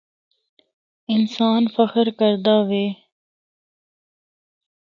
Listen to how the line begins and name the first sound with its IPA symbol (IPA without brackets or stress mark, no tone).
ɪ